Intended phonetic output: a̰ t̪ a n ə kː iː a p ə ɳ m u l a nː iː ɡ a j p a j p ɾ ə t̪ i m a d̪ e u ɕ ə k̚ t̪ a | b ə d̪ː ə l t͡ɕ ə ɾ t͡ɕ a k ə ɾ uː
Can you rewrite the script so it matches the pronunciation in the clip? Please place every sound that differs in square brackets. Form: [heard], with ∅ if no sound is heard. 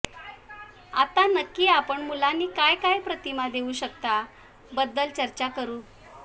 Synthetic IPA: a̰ t̪ a n ə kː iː a p ə ɳ m u l a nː iː [k] a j [k] a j p ɾ ə t̪ i m a d̪ e u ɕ ə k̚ t̪ a | b ə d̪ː ə l t͡ɕ ə ɾ t͡ɕ a k ə ɾ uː

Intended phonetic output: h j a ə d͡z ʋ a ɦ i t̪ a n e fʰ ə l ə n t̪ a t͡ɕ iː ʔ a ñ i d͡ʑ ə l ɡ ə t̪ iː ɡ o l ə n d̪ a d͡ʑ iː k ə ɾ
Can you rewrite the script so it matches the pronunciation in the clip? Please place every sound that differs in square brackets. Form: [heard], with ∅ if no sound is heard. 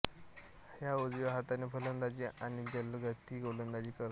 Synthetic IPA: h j a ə d͡z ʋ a ɦ [a] t̪ a n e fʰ ə l ə n [d̪] a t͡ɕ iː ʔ a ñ i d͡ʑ ə l ɡ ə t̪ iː ɡ o l ə n d̪ a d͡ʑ iː k ə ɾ

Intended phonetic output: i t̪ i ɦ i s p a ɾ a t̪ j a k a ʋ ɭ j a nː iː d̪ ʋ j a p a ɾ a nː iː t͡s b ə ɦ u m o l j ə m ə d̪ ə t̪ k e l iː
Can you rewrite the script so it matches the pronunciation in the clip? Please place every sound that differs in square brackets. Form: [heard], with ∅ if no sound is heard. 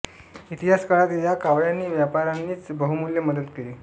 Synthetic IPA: i t̪ i ɦ [a] s [k] a [ɭ] a t̪ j a k a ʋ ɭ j a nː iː [∅] ʋ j a p a ɾ a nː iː t͡s b ə ɦ u m [u] l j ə m ə d̪ ə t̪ k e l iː

